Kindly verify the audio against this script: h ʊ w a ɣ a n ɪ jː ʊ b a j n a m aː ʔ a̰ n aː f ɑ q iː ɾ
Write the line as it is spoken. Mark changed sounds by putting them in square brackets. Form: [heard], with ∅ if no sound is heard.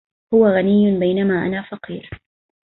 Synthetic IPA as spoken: h ʊ w a ɣ a n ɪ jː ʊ b a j n a m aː ʔ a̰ n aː f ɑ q iː ɾ